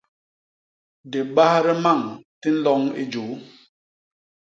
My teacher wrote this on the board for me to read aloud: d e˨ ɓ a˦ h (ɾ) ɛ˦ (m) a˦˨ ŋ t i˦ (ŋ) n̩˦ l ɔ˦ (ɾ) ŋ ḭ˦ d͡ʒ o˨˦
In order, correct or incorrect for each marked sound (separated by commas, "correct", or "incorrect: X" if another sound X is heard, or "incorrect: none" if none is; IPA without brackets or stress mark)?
correct, correct, incorrect: none, incorrect: none